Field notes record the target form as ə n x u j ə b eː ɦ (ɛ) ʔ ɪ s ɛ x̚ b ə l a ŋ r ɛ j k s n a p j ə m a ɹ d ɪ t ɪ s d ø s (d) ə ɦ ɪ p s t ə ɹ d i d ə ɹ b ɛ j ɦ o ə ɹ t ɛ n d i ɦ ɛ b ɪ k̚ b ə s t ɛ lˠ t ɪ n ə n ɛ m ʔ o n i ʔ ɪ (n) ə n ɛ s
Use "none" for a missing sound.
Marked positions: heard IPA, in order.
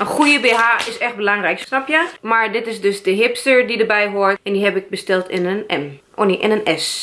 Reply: a, d, n

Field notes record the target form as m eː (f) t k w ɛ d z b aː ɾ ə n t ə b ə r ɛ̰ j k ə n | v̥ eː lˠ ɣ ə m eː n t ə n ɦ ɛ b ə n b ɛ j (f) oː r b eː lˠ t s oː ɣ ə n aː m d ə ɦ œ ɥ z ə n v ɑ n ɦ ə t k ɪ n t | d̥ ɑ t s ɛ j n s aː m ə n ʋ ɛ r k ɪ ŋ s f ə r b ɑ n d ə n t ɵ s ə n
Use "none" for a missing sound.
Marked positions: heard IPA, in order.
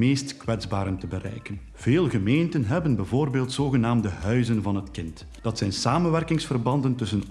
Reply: s, v

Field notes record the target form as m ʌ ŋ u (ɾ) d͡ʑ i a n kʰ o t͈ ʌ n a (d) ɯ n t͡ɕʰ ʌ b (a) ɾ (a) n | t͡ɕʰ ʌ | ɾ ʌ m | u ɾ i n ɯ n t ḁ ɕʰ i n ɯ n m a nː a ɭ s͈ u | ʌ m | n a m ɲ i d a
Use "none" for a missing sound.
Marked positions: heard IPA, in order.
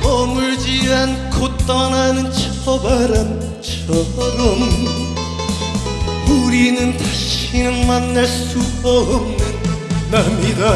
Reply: ɭ, n, a, a

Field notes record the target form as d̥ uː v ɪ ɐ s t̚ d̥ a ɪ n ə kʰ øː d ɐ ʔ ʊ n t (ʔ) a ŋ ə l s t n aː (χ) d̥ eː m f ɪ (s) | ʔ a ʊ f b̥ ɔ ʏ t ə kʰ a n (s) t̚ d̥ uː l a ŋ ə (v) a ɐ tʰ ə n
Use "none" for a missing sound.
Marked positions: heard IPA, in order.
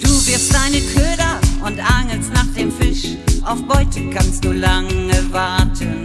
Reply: ʔ, χ, ʃ, s, v

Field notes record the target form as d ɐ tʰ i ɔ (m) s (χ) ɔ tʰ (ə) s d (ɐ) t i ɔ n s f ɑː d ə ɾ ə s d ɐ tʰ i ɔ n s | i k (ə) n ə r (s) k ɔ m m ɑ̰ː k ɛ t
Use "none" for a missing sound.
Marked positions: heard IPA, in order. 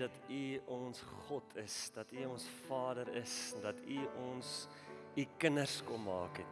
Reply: n, χ, ə, ɐ, ə, s

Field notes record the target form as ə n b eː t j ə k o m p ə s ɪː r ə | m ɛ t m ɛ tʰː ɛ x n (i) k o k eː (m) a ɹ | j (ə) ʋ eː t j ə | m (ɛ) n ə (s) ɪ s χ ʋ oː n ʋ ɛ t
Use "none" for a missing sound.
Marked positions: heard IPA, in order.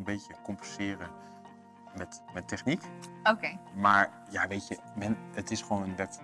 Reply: i, m, a, ɛ, t

